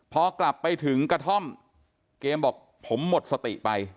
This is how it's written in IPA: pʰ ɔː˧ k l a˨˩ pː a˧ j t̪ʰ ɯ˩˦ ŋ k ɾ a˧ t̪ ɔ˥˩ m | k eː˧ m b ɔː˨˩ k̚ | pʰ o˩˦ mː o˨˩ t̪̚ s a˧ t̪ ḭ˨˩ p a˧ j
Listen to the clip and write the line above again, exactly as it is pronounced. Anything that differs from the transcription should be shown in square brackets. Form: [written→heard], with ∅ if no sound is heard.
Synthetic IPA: pʰ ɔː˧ k l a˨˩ pː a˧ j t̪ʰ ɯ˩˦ ŋ k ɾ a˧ [t̪→t̪ʰ] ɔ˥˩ m | k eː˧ m b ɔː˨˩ k̚ | pʰ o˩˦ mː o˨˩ t̪̚ s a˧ t̪ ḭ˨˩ p a˧ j